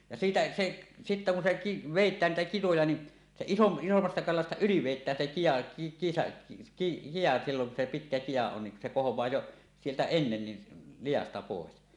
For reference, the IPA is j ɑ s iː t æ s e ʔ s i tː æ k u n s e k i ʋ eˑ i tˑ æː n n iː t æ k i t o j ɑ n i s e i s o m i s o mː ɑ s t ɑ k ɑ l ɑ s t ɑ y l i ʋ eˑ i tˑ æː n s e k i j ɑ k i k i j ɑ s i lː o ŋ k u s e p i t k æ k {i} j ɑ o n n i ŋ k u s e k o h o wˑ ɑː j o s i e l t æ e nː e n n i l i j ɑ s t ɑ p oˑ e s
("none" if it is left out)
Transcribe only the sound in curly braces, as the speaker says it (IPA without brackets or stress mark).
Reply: i